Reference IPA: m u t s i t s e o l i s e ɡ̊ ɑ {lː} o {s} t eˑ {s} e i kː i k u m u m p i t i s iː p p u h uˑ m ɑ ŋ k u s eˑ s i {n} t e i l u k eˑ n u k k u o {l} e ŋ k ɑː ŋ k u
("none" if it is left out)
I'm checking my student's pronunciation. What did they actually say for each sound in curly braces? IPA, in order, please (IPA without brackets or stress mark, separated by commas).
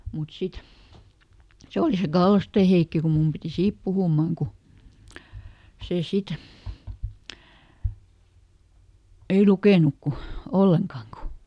lː, s, h, none, lː